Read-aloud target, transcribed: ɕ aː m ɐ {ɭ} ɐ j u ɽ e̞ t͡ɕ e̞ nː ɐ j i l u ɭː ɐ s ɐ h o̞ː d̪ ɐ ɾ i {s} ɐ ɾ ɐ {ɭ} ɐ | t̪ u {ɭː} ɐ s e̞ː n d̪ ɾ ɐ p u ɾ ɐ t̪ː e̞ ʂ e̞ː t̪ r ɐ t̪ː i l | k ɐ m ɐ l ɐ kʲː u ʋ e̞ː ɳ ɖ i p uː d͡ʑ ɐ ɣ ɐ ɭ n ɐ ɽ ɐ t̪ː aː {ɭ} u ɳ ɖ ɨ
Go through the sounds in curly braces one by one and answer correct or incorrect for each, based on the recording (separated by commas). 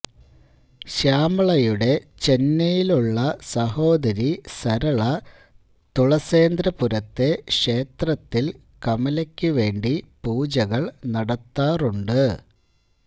correct, correct, correct, incorrect, incorrect